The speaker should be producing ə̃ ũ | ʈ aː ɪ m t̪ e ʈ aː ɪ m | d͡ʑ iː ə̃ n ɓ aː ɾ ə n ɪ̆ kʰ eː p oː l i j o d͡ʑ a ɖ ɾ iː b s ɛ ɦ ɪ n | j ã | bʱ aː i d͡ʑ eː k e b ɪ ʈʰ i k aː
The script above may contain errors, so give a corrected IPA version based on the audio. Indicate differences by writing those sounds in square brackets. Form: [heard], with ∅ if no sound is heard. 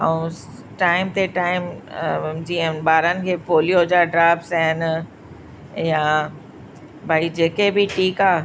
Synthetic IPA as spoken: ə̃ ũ | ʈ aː ɪ m t̪ e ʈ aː ɪ m | d͡ʑ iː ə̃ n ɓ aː ɾ ə n ɪ̆ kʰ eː p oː l i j o d͡ʑ a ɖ ɾ [aː] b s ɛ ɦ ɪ n | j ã | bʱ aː i d͡ʑ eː k e b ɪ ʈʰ [iː] k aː